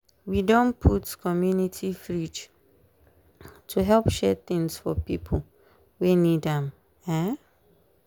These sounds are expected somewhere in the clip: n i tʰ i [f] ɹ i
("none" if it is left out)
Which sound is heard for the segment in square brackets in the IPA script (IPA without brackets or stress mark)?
f